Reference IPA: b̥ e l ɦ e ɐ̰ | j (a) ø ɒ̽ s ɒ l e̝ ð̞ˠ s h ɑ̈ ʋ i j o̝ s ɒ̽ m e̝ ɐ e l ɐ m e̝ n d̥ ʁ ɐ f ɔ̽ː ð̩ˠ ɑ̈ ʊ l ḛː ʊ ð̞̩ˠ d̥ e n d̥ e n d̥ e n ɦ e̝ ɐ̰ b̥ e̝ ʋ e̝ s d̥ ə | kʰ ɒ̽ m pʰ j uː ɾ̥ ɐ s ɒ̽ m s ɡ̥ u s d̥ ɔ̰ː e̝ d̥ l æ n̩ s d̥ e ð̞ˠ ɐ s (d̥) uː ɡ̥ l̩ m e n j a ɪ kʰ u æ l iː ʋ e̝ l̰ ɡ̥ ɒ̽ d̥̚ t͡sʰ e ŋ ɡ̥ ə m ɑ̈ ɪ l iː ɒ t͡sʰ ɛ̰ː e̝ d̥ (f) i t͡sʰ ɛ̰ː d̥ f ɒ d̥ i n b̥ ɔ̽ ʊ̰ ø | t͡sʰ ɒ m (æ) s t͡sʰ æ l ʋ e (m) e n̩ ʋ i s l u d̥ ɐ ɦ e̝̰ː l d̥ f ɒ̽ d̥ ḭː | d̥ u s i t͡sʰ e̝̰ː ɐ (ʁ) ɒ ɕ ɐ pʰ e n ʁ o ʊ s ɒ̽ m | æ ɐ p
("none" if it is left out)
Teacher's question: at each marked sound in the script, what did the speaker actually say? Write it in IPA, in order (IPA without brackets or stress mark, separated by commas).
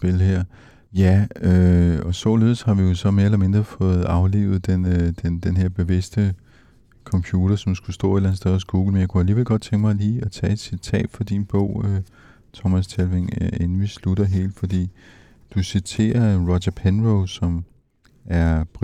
æ, ɡ̥, s, æ, ŋ, ʁ